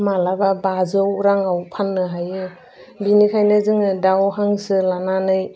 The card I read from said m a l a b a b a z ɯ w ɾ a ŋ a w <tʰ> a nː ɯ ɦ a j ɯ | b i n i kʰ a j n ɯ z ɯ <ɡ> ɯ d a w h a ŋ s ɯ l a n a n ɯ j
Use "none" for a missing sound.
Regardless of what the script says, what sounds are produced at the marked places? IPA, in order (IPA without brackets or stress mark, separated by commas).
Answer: pʰ, ŋ